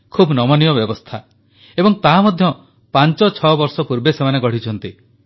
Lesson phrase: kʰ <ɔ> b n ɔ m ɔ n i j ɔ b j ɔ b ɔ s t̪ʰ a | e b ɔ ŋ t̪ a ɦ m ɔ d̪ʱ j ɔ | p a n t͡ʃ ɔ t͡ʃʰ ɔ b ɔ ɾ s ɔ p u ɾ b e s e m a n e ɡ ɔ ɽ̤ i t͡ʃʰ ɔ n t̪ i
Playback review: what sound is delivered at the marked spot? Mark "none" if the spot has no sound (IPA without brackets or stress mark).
u